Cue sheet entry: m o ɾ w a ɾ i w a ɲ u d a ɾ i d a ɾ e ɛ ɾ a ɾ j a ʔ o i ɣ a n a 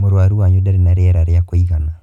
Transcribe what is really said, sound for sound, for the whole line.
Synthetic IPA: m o ɾ w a ɾ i w a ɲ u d a ɾ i n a ɾ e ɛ ɾ a ɾ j a k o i ɣ a n a